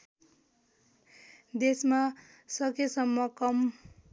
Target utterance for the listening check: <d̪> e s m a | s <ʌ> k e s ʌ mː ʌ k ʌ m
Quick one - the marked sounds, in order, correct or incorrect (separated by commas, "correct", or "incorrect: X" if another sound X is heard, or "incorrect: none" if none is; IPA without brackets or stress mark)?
correct, correct